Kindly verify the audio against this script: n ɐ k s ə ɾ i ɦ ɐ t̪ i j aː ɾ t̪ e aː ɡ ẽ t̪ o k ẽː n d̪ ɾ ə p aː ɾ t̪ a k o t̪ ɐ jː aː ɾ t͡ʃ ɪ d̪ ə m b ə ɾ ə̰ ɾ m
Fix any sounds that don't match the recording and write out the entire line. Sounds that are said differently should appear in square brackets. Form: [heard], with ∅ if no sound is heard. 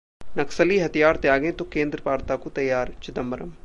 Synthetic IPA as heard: n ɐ k s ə [l] i ɦ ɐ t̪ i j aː ɾ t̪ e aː ɡ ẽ t̪ o k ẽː n d̪ ɾ ə p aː ɾ t̪ a k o t̪ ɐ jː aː ɾ t͡ʃ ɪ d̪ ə m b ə ɾ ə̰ [∅] m

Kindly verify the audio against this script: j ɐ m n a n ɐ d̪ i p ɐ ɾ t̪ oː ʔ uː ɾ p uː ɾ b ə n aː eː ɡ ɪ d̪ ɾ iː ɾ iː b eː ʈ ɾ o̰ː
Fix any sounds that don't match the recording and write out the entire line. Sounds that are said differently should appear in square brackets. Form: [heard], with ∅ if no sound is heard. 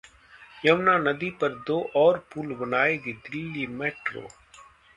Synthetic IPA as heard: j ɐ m n a n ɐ d̪ i p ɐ ɾ [d̪] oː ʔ [ɔː] ɾ p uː [l] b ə n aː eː ɡ [i] d̪ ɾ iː [l] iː [m] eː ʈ ɾ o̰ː

